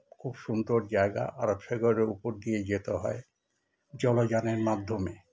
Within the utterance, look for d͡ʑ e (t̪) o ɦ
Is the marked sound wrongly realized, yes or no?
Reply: no